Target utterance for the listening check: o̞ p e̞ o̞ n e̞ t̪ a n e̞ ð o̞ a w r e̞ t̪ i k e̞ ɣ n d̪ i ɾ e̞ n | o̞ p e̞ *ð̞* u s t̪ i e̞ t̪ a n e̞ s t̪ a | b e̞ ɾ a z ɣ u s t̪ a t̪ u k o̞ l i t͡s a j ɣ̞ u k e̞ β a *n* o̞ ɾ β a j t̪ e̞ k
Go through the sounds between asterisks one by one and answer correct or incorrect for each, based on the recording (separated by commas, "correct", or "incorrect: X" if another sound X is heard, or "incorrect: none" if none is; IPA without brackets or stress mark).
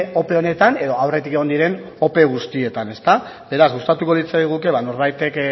incorrect: ɣ̞, correct